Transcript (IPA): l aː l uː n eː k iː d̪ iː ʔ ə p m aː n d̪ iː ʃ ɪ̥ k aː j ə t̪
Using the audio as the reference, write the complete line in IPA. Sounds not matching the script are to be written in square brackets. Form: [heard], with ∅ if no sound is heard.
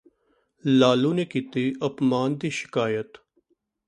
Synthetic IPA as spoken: l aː l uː n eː k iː [t̪] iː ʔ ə p m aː n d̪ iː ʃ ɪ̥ k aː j ə t̪

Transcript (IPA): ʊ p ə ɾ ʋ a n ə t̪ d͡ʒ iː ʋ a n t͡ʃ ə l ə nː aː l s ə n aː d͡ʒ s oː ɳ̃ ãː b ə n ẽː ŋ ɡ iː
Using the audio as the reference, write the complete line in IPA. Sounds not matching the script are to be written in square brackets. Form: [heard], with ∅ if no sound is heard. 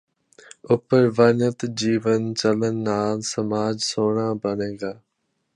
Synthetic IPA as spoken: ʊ p ə ɾ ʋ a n ə t̪ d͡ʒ iː ʋ [ə] n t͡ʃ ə l ə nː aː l s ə [m] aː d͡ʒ s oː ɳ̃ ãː b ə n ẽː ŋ ɡ [aː]

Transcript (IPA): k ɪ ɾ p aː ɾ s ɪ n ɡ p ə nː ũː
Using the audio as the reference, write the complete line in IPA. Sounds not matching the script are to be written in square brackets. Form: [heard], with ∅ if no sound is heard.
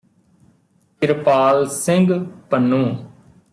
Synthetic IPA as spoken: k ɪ ɾ p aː [l] s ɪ [ŋ] ɡ p ə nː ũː

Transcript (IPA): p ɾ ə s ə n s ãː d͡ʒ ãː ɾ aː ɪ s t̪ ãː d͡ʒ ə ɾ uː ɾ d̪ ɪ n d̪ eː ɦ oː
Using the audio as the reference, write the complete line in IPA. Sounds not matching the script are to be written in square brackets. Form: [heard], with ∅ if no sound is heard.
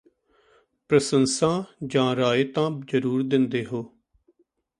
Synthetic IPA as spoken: p ɾ ə s ə n s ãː d͡ʒ ãː ɾ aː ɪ [∅] t̪ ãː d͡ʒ ə ɾ uː ɾ d̪ ɪ n d̪ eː ɦ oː

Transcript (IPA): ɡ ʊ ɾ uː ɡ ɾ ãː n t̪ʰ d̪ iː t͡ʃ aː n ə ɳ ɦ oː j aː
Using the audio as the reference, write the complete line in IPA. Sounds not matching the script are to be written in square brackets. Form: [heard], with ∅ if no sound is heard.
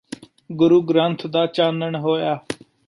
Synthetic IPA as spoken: ɡ ʊ ɾ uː ɡ ɾ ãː n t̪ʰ d̪ [aː] t͡ʃ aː n ə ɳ ɦ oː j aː

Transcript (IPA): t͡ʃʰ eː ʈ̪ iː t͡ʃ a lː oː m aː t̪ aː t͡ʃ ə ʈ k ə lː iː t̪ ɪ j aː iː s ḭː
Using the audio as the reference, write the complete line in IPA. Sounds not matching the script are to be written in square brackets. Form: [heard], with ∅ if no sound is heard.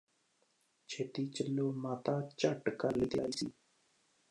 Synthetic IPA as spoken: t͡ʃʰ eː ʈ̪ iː t͡ʃ [ə] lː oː m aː t̪ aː t͡ʃ ə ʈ k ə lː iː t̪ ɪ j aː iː s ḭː

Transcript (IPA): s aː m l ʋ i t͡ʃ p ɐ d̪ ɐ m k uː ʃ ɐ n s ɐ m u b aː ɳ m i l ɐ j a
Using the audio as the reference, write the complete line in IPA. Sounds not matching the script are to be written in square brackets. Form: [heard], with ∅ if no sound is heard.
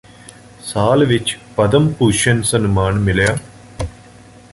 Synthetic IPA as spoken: s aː [∅] l ʋ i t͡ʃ p ɐ d̪ ɐ m [p] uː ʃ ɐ n s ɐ [n] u [m] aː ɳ m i l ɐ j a

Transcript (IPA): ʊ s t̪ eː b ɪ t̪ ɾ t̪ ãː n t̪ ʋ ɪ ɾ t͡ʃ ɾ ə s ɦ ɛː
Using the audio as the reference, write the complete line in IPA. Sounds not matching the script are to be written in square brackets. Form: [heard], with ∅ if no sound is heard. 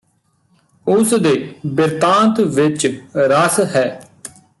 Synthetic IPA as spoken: ʊ s [d̪] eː b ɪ [∅] ɾ t̪ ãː n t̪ ʋ ɪ [∅] t͡ʃ ɾ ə s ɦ ɛː

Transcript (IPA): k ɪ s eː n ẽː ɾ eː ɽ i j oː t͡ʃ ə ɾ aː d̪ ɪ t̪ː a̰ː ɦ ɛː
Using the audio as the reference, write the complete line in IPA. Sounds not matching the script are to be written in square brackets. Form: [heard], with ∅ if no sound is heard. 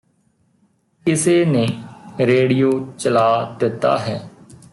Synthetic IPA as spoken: k ɪ s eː n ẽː ɾ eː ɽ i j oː t͡ʃ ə [l] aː d̪ ɪ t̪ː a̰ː ɦ ɛː

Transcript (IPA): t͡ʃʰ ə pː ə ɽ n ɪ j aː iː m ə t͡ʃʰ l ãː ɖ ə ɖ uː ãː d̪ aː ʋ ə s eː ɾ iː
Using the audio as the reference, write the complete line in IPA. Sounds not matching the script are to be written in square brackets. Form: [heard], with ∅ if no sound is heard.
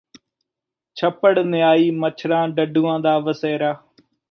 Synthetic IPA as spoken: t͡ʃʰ ə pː ə ɽ n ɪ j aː iː m ə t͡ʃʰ [ɾ] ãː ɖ ə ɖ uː ãː d̪ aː ʋ ə s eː ɾ [aː]

